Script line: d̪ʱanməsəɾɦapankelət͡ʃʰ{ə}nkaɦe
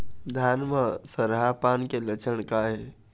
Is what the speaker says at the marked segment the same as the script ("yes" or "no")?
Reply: yes